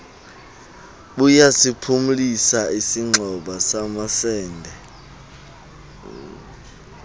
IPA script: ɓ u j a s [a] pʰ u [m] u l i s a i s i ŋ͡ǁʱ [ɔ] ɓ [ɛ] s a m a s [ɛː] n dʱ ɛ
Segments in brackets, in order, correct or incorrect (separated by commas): incorrect, correct, correct, incorrect, correct